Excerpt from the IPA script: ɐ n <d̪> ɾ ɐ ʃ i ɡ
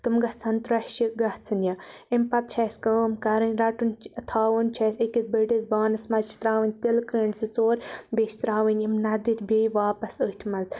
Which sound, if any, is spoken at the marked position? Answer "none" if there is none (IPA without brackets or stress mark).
t̪